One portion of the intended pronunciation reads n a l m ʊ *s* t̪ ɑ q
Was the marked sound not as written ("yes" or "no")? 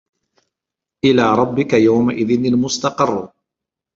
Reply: no